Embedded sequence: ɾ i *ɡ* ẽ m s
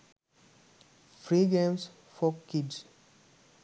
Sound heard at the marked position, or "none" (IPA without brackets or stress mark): ɡ